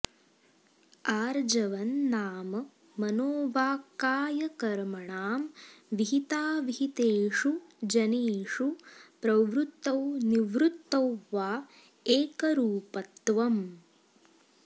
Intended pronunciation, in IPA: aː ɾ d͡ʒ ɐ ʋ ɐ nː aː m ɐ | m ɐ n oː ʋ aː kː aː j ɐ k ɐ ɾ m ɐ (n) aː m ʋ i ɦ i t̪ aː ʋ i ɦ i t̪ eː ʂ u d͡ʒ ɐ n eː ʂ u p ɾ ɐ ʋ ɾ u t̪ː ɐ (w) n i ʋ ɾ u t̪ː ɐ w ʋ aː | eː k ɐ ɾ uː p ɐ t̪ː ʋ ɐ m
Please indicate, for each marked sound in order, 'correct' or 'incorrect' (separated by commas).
incorrect, correct